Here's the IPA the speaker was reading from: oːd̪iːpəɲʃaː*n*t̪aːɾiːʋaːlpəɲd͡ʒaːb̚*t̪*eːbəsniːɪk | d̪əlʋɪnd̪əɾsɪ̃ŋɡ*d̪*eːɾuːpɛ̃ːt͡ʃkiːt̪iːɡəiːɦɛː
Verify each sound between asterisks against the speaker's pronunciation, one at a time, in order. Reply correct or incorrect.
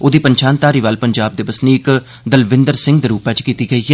correct, incorrect, correct

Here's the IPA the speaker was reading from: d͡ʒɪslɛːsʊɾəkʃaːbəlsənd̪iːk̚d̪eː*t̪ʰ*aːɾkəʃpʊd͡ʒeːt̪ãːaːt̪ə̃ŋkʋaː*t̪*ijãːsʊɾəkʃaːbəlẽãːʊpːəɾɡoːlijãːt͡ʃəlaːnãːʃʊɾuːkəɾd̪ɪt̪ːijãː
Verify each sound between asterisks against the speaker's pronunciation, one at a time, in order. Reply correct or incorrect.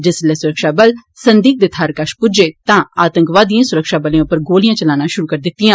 correct, incorrect

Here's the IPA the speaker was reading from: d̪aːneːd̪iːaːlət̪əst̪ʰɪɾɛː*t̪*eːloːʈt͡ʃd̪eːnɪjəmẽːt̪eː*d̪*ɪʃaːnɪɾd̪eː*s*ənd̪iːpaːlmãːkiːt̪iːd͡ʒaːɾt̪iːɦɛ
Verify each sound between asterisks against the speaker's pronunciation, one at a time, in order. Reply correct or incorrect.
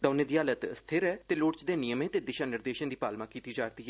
correct, correct, incorrect

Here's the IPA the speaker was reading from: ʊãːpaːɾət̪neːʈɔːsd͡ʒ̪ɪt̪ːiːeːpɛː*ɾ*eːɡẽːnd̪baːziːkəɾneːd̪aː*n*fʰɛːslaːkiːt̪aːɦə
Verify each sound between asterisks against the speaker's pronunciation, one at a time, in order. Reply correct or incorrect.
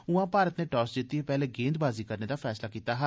incorrect, incorrect

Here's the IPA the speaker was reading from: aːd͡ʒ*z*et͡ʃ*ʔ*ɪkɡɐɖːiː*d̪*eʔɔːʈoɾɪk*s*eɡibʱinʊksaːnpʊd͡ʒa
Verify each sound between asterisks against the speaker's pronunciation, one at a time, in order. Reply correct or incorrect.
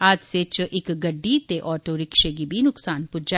incorrect, correct, incorrect, incorrect

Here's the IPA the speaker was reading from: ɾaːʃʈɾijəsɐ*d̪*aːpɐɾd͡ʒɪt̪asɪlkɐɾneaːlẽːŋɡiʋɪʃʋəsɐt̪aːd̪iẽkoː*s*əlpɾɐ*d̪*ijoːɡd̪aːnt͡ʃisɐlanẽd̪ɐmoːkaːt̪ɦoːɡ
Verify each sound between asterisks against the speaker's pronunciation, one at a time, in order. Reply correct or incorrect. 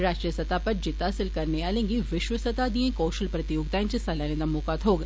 incorrect, incorrect, incorrect

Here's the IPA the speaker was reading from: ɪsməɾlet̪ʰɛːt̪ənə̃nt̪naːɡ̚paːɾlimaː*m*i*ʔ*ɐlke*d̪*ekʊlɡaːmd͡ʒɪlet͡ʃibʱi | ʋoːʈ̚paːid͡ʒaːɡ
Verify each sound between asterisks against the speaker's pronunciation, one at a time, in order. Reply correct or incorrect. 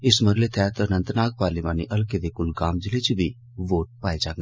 incorrect, correct, correct

